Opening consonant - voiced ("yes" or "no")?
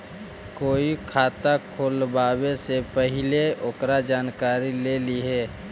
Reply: no